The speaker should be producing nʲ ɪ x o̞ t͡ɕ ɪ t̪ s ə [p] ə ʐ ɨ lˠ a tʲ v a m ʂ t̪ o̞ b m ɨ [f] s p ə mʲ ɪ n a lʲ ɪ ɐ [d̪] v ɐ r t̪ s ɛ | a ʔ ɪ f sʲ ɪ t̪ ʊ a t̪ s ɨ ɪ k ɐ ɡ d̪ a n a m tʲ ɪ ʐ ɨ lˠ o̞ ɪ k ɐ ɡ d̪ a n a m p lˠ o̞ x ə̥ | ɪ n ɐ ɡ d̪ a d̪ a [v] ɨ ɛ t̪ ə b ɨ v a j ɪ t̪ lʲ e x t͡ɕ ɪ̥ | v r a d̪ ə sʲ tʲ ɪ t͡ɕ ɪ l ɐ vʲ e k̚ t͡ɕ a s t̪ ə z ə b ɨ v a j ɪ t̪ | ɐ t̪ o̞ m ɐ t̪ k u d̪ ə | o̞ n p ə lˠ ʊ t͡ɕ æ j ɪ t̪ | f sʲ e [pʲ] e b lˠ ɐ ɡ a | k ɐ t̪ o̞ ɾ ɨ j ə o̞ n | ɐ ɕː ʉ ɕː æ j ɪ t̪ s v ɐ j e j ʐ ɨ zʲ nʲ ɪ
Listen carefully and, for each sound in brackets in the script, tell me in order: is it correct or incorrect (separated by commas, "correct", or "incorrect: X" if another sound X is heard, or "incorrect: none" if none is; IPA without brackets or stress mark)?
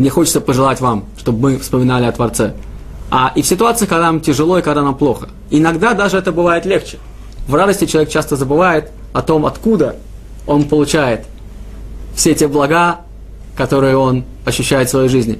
correct, correct, incorrect: t̪, incorrect: ʐ, incorrect: tʲ